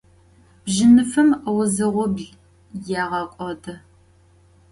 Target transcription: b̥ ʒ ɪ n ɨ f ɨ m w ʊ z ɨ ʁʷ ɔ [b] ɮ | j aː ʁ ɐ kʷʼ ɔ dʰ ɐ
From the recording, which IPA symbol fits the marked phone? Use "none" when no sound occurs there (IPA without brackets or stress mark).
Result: b